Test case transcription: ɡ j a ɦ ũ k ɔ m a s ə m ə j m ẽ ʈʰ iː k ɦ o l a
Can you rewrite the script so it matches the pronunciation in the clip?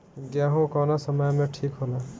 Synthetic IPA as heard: ɡ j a ɦ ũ k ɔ n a s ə m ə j m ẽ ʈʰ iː k ɦ o l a